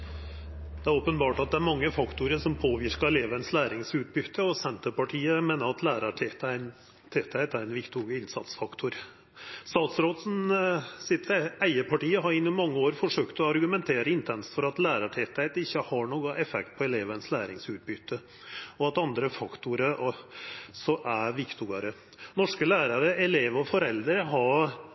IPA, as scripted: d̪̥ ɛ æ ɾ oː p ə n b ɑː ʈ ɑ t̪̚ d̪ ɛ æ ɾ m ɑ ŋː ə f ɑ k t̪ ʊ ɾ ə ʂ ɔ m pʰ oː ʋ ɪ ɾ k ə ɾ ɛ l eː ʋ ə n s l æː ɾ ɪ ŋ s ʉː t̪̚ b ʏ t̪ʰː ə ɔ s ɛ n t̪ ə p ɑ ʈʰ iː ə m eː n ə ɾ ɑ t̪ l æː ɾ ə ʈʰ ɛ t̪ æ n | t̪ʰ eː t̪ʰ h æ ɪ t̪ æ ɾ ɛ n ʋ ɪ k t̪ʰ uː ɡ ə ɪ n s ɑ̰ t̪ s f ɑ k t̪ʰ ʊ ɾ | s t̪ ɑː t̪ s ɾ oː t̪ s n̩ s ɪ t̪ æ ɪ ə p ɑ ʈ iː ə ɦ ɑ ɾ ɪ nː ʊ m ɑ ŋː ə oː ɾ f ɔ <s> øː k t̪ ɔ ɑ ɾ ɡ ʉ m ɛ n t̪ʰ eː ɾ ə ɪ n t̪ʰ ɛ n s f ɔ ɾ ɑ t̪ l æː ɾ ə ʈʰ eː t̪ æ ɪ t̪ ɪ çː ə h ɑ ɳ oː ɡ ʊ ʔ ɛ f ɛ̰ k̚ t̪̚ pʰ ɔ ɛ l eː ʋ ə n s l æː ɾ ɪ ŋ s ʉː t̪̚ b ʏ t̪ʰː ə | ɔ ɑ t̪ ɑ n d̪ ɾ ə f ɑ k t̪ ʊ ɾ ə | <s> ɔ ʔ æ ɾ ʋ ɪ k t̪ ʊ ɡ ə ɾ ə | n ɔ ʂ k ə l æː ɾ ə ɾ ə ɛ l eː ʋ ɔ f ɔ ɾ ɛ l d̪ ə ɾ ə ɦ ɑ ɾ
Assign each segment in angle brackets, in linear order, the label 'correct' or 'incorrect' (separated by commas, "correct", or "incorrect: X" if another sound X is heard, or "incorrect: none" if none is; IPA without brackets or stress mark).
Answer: incorrect: ʂ, correct